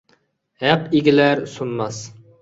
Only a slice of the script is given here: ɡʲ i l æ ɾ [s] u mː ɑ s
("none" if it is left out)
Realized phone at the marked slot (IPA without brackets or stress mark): s